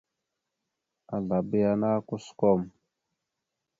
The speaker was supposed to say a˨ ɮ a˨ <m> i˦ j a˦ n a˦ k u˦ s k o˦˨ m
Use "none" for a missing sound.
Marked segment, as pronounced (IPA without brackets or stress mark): b